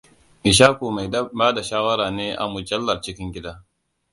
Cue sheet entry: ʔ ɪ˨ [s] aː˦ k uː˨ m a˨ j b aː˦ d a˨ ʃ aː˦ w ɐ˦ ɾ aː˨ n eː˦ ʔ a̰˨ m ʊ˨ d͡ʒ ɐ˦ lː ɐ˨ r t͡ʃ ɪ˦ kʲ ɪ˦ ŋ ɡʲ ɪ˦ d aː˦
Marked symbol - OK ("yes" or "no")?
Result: no